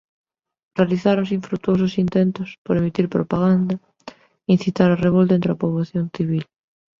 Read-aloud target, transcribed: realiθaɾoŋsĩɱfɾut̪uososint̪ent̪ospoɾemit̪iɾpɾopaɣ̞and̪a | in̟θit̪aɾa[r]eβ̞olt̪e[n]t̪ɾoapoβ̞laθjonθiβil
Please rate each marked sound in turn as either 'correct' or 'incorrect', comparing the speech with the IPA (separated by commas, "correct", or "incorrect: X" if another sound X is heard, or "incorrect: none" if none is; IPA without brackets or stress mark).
correct, correct